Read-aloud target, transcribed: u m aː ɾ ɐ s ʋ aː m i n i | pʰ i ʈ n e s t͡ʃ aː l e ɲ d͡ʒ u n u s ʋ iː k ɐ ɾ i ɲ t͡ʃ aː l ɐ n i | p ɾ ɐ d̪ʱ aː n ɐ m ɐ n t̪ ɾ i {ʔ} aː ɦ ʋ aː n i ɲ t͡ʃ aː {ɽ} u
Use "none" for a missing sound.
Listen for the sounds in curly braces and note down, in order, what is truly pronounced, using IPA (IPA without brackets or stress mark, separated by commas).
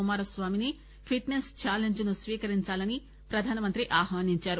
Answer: ʔ, ɾ